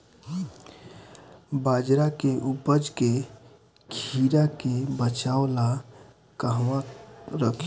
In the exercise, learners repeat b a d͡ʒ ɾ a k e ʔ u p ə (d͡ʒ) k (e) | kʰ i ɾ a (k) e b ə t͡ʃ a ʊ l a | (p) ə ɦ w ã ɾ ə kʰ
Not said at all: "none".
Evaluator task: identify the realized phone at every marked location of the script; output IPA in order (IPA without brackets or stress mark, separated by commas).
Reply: d͡ʒ, e, k, k